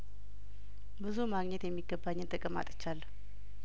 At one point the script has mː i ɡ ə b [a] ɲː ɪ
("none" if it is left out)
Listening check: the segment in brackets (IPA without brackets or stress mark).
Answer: a